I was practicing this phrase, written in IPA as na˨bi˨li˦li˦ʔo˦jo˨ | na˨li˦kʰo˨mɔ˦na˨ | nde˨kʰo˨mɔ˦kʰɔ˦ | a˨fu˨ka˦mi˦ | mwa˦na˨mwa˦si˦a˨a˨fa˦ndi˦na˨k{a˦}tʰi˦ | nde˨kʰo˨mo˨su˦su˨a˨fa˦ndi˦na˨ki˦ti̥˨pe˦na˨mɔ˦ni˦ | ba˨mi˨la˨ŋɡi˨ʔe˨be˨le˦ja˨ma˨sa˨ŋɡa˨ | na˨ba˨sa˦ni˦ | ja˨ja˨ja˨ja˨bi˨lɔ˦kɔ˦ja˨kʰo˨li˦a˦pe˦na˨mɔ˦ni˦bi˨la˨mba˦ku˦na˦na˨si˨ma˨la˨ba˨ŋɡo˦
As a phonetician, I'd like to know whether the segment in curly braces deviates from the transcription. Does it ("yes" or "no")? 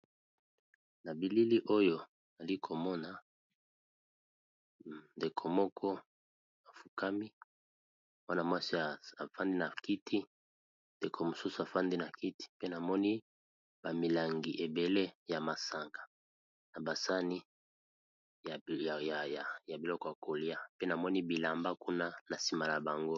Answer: yes